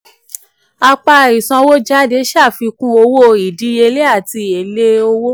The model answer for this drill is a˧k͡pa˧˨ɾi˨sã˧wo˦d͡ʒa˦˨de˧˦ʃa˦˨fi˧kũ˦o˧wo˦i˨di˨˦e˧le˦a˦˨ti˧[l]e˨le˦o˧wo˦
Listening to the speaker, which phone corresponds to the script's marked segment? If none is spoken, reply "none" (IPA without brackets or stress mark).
none